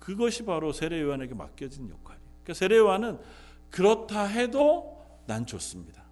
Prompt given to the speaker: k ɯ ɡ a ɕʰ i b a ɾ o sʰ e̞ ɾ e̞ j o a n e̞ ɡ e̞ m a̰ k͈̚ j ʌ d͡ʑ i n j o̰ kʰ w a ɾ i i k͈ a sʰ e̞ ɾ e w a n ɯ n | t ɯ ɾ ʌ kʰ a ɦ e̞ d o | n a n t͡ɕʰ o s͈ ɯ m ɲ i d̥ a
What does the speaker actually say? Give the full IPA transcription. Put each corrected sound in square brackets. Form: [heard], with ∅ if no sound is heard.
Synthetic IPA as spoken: k ɯ ɡ [ʌ] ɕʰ i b a ɾ o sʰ e̞ ɾ e̞ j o a n e̞ ɡ e̞ m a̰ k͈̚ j ʌ d͡ʑ i n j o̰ kʰ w a ɾ i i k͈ a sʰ e̞ ɾ e w a n ɯ n | [k] ɯ ɾ ʌ [tʰ] a ɦ e̞ d o | n a n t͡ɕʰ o s͈ ɯ m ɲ i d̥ a